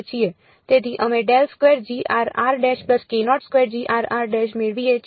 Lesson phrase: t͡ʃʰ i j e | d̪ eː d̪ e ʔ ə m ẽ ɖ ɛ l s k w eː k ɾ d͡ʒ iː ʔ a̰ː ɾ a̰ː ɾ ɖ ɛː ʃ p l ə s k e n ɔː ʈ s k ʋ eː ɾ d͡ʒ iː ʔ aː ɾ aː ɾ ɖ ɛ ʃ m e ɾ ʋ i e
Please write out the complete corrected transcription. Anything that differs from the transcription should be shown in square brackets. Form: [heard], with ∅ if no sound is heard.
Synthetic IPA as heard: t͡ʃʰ i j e | [t̪] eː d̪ [i] ʔ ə m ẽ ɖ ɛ l s k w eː [∅] ɾ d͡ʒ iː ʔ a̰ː ɾ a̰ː ɾ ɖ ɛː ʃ p l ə s k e n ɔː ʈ s k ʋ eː ɾ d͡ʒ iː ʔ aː ɾ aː ɾ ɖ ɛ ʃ m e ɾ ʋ i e